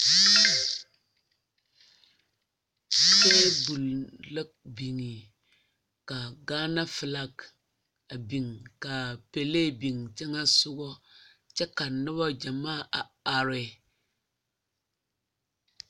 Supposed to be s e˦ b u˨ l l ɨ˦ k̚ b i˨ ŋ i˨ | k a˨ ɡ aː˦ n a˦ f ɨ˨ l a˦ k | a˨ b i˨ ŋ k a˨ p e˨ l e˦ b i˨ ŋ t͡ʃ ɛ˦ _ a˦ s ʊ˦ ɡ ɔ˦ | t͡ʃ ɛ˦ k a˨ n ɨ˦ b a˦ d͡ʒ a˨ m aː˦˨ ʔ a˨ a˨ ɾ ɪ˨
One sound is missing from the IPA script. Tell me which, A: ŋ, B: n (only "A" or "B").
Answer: A